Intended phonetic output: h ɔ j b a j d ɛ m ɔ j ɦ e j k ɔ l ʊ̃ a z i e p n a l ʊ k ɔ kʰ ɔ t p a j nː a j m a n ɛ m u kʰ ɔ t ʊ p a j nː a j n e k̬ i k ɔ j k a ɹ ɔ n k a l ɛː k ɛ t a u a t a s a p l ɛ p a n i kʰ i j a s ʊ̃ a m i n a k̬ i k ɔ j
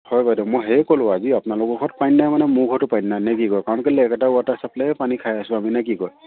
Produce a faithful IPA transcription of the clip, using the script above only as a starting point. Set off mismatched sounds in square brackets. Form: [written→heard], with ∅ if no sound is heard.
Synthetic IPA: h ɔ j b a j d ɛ m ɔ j ɦ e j k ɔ l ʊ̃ a z i [e→a] p n a l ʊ k ɔ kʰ ɔ t p a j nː a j m a n ɛ m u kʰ ɔ t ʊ p a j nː a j n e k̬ i k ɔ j k a ɹ ɔ n k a l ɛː k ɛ t a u a t a s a p l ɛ p a n i kʰ [i→a] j a s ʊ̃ a m i n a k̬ i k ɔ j